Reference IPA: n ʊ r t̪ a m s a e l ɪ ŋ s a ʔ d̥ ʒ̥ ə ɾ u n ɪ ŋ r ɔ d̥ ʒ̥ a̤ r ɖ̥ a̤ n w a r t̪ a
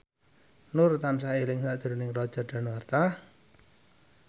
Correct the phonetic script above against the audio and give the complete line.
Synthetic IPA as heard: n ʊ r t̪ a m s a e l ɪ ŋ s a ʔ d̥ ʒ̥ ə ɾ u n ɪ ŋ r ɔ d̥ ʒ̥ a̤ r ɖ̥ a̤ n w a r t̪ a